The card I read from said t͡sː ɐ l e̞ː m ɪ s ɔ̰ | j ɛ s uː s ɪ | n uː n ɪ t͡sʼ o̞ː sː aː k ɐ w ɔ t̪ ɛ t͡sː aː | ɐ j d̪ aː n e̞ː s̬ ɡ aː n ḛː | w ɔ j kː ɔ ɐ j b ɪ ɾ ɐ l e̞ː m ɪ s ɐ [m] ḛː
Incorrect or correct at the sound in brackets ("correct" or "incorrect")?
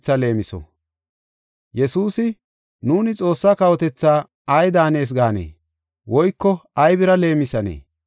incorrect